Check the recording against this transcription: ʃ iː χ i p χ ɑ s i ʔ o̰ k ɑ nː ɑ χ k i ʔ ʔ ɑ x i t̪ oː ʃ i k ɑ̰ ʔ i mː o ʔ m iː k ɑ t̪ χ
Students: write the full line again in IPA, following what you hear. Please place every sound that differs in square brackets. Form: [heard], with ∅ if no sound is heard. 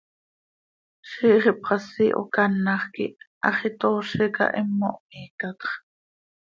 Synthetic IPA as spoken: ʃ iː χ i p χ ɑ s i ʔ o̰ k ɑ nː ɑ χ k i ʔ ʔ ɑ [χ] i t̪ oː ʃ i k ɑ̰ ʔ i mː o ʔ m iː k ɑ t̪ χ

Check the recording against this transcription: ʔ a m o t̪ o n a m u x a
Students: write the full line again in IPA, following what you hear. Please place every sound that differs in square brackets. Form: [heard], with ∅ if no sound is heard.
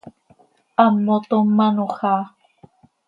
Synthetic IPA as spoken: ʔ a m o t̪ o [m] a [n] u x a

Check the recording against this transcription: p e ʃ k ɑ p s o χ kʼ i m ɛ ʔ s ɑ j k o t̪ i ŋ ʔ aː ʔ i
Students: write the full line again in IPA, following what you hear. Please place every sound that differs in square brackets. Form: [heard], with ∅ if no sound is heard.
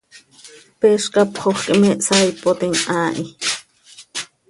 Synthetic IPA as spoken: p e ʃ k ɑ p [χ] o χ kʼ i m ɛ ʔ s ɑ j [p] o t̪ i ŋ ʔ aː ʔ i

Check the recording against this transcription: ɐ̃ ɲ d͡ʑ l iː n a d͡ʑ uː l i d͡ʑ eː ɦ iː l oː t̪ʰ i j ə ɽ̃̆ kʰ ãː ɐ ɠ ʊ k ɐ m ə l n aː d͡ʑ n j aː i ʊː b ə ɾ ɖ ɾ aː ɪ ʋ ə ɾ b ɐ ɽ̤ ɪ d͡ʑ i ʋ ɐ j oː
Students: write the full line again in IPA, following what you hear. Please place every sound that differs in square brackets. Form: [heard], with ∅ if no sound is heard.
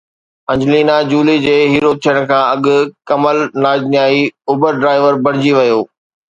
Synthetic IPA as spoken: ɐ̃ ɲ d͡ʑ l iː n a d͡ʑ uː l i d͡ʑ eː ɦ iː [ɾ] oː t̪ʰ i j ə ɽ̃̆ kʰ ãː ɐ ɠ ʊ k ɐ m ə l n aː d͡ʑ n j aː i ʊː b ə ɾ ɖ ɾ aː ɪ ʋ ə ɾ b ɐ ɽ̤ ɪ d͡ʑ i ʋ ɐ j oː

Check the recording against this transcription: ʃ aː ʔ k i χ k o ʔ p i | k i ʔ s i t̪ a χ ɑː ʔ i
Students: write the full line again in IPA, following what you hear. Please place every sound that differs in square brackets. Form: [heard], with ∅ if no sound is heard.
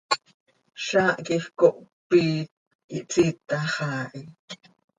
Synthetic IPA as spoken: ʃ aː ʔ k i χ k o ʔ p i | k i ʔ [t͡s] i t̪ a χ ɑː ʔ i

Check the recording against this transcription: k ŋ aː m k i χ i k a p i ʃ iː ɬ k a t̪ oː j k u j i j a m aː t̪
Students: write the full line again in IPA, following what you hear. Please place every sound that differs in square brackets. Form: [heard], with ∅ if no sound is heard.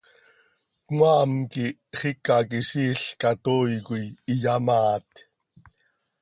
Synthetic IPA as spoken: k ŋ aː m k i χ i k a [k] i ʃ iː ɬ k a t̪ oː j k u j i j a m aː t̪

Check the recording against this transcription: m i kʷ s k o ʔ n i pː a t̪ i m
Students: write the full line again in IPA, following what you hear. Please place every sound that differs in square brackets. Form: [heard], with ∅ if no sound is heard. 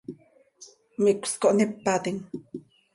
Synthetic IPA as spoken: m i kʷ s k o ʔ n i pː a t̪ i [ŋ]

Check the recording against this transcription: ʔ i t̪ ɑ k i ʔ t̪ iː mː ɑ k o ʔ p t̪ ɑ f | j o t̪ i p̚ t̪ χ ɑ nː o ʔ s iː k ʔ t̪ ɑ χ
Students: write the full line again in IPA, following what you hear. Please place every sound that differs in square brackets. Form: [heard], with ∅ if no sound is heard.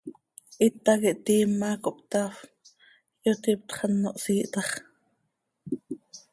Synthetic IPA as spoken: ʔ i t̪ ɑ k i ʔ t̪ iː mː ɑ k o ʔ p t̪ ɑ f | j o t̪ i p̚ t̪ χ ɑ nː o ʔ s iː [∅] ʔ t̪ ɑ χ

